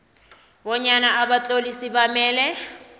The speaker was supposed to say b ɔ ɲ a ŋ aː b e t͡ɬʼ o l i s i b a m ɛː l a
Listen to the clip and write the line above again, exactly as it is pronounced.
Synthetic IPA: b ɔ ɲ a n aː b a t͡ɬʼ o l i s i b a m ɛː l ɛ